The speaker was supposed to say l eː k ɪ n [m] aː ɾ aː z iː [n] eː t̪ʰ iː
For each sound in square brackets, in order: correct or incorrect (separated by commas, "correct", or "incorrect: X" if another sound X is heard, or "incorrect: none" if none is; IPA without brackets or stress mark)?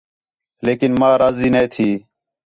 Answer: correct, correct